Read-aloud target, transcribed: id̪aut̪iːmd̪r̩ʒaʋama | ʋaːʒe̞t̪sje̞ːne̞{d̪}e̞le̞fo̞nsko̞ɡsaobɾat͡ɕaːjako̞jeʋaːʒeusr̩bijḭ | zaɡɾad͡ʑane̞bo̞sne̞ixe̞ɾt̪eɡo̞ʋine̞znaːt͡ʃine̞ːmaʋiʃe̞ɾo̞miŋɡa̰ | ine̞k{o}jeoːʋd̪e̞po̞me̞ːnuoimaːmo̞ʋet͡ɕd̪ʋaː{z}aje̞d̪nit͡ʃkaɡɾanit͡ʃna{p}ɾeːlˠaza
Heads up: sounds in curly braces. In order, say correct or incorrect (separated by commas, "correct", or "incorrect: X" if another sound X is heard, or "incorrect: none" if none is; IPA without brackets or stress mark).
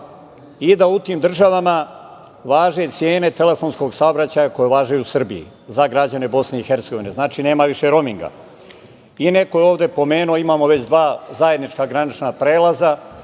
incorrect: t̪, correct, correct, correct